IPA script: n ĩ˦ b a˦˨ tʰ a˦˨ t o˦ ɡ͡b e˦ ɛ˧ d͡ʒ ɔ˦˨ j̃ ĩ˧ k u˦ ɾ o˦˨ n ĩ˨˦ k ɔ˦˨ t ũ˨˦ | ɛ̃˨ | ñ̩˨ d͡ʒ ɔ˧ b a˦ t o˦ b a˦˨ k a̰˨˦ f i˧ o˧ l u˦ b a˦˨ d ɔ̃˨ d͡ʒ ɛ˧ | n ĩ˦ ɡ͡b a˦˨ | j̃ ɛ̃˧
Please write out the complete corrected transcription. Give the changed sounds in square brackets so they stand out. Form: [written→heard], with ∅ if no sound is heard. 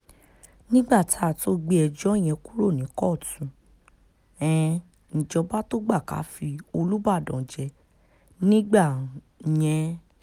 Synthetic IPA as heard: n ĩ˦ [b→ɡ͡b] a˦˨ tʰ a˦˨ t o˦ ɡ͡b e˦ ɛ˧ d͡ʒ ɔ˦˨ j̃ [ĩ˧→ɛ̃˧] k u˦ ɾ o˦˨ n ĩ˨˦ k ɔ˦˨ t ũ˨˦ | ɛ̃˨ | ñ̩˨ d͡ʒ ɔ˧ b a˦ t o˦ [b→ɡ͡b] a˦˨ k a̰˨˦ f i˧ o˧ l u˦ b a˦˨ d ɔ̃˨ d͡ʒ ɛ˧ | n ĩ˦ ɡ͡b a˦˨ | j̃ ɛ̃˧

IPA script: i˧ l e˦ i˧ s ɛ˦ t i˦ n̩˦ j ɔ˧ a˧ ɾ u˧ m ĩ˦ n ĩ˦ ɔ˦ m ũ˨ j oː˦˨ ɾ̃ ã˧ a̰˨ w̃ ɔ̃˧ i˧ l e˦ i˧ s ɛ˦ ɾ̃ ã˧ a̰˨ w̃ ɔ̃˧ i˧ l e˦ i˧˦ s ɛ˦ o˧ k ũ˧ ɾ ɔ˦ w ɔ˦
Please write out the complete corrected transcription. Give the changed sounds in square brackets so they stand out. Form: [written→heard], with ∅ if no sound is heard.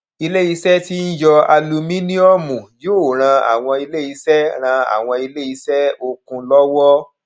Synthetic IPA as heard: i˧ l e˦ i˧ s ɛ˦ t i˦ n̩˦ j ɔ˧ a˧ [ɾ→l] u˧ m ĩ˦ n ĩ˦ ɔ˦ m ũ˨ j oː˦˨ ɾ̃ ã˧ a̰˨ w̃ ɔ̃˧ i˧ l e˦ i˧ s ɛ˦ ɾ̃ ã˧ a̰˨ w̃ ɔ̃˧ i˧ l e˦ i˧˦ s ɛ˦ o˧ k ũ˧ [ɾ→l] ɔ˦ w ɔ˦

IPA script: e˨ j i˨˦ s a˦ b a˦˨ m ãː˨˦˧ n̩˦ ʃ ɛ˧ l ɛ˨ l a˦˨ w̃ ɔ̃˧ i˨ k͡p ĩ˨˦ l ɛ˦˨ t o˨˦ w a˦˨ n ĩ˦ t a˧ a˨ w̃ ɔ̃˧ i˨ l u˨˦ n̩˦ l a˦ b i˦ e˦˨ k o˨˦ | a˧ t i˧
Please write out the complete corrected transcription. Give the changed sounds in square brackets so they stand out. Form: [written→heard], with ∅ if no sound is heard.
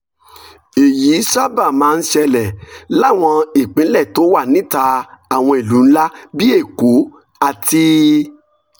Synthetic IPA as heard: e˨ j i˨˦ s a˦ b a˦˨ m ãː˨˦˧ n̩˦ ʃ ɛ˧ l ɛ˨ l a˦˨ w̃ ɔ̃˧ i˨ k͡p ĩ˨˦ l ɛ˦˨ t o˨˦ w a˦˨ n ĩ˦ t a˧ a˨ w̃ ɔ̃˧ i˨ l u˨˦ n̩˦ l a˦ b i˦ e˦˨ k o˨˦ | a˧ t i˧

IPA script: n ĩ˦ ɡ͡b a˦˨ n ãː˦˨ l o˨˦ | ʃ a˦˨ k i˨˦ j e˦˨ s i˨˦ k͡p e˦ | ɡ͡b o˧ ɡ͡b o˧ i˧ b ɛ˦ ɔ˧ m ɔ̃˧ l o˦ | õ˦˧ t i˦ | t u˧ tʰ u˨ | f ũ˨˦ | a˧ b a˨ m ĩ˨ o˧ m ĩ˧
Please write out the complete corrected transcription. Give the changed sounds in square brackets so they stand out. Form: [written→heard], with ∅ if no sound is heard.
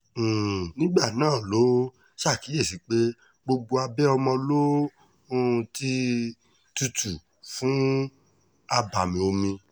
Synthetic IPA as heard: n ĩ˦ ɡ͡b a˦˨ n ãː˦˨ l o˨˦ | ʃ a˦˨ k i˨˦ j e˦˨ s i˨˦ k͡p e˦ | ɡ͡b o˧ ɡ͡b o˧ [i˧→a˧] b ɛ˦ ɔ˧ m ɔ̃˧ l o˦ | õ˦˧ t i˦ | t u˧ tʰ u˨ | f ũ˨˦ | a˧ b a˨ m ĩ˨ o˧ m ĩ˧

